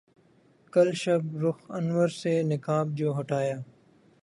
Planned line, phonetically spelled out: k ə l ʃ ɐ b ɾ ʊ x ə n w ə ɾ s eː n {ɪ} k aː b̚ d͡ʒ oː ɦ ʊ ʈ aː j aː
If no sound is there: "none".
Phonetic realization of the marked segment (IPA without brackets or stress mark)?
ɪ